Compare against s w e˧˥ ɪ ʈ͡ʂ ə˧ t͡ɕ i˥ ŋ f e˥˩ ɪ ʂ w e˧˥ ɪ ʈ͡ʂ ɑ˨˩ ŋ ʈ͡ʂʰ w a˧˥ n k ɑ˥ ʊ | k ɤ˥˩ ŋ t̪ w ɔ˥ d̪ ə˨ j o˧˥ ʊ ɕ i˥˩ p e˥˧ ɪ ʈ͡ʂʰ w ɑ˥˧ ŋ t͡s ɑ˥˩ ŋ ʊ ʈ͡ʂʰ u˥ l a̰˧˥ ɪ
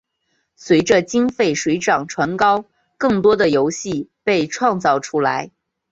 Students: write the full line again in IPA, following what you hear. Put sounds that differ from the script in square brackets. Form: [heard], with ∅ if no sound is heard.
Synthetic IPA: s w e˧˥ ɪ ʈ͡ʂ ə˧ t͡ɕ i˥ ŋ f e˥˩ ɪ ʂ w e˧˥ ɪ ʈ͡ʂ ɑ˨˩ ŋ ʈ͡ʂʰ w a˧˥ n k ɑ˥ ʊ | k ɤ˥˩ ŋ t̪ w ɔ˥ d̪ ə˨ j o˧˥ ʊ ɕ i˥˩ p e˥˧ ɪ ʈ͡ʂʰ w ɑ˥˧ ŋ t͡s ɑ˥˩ [∅] ʊ ʈ͡ʂʰ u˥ l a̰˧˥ ɪ